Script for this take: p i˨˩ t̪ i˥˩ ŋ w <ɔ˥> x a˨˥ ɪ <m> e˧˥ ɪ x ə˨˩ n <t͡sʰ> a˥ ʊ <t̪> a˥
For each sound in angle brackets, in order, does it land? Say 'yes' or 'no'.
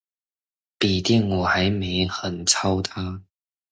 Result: no, yes, yes, no

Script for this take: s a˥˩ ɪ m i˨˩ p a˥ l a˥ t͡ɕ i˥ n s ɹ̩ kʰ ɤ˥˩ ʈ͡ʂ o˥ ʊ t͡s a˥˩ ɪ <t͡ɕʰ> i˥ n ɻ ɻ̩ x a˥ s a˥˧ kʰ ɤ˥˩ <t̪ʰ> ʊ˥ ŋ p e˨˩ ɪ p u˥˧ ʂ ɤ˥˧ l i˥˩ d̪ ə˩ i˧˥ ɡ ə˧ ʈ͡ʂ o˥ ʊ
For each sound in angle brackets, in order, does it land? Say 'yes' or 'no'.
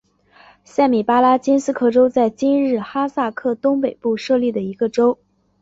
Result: no, no

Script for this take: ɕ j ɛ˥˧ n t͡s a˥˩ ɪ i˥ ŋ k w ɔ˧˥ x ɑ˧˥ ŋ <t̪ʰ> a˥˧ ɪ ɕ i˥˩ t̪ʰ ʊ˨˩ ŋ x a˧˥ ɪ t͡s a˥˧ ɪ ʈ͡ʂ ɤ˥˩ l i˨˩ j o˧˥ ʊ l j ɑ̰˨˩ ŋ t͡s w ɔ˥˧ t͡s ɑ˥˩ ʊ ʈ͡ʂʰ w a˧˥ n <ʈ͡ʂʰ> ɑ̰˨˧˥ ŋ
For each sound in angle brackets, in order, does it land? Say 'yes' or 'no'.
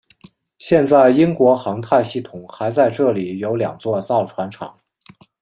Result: yes, yes

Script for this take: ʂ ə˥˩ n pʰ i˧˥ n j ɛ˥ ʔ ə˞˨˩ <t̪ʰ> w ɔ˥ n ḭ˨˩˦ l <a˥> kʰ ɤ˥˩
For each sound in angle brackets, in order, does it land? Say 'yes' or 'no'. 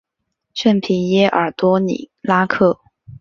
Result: no, yes

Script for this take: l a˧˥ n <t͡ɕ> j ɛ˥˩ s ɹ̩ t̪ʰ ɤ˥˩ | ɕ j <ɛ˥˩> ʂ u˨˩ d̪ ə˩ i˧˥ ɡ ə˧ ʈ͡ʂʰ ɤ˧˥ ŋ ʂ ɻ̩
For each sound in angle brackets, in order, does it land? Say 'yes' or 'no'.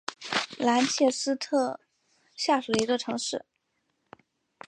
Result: no, no

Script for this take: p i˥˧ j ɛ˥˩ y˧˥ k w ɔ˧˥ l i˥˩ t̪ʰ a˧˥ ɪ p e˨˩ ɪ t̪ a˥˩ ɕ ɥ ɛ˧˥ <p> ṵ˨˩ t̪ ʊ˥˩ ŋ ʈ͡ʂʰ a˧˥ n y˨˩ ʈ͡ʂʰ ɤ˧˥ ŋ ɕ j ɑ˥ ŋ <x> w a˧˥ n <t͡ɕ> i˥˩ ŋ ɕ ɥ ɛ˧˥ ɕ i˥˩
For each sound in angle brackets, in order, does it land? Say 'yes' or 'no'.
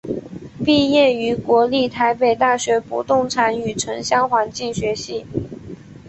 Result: yes, yes, yes

